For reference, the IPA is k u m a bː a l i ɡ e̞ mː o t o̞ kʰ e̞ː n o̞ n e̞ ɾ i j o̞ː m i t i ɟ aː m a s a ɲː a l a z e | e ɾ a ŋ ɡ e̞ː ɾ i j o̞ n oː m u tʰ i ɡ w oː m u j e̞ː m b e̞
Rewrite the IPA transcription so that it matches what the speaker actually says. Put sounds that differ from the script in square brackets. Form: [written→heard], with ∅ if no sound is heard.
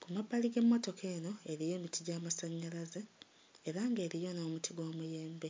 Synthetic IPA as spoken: k u m a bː a l i ɡ e̞ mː o t o̞ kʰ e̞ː n o̞ [n→∅] e̞ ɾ i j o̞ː m i t i ɟ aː m a s a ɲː a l a z e | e ɾ a ŋ ɡ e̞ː ɾ i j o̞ n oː m u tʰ i ɡ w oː m u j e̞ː m b e̞